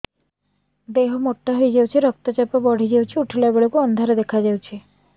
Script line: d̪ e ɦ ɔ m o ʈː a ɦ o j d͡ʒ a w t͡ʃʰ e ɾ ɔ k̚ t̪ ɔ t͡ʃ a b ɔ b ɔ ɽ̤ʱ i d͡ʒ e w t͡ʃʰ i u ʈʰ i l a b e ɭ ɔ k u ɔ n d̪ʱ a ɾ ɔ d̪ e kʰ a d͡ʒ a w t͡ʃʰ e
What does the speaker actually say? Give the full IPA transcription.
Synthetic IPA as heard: d̪ e ɦ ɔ m o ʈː a ɦ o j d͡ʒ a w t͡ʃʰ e ɾ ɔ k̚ t̪ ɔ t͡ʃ a p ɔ b ɔ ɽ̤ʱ i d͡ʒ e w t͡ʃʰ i u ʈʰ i l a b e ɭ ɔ k u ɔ n d̪ʱ a ɾ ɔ d̪ e kʰ a d͡ʒ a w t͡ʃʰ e